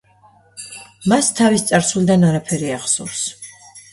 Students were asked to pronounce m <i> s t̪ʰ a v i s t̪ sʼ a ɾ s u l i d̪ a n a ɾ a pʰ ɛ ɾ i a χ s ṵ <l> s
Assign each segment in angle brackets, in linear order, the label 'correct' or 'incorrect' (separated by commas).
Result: incorrect, incorrect